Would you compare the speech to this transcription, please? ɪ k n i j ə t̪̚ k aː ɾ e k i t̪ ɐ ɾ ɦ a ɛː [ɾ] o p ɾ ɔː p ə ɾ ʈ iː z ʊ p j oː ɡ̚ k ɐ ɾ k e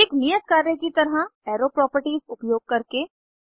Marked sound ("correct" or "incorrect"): correct